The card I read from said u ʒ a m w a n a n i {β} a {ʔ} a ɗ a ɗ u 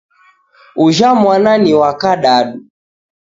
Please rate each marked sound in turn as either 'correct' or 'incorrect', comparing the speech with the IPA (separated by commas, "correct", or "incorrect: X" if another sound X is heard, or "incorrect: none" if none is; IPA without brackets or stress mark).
incorrect: w, incorrect: k